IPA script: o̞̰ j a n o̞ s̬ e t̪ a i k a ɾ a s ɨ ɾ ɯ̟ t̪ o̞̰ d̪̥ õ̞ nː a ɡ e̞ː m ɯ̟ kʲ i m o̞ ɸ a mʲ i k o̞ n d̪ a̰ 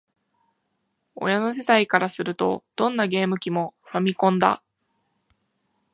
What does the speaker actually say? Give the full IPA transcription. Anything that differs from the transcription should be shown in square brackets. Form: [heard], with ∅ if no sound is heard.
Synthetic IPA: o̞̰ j a n o̞ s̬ e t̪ a i k a ɾ a s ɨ ɾ ɯ̟ t̪ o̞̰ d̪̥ õ̞ nː a ɡ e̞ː m ɯ̟ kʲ i m o̞ ɸ a mʲ i k [õ̞] n d̪ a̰